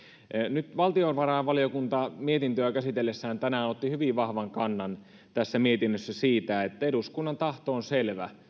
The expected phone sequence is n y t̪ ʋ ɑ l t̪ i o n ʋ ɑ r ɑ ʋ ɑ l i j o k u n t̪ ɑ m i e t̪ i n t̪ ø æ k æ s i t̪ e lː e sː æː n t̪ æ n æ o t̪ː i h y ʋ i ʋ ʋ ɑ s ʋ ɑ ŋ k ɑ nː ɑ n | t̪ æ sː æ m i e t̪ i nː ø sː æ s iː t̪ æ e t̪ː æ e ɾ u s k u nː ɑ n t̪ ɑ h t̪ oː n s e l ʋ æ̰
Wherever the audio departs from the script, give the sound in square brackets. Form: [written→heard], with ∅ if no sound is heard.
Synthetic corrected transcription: n y t̪ ʋ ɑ l t̪ i o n ʋ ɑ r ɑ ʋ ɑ l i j o k u n t̪ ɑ m i e t̪ i n t̪ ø æ k æ s i t̪ e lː e sː æː n t̪ æ n æ o t̪ː i h y ʋ i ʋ ʋ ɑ [s→h] ʋ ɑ ŋ k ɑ nː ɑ n | t̪ æ sː æ m i e t̪ i nː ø sː æ s iː t̪ æ e t̪ː æ e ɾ u s k u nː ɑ n t̪ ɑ h t̪ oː n s e l ʋ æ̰